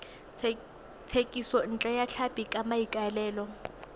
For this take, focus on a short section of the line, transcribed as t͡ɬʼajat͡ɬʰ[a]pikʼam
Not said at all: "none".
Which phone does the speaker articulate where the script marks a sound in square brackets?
a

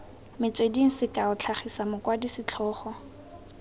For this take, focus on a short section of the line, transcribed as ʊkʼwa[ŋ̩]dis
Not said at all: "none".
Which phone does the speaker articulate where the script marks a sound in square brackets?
none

